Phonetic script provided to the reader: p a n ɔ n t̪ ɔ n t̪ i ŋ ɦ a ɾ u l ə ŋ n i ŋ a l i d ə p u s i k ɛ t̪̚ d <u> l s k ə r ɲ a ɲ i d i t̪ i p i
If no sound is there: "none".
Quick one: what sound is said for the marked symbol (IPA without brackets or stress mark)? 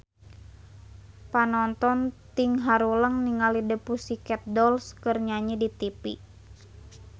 ɔ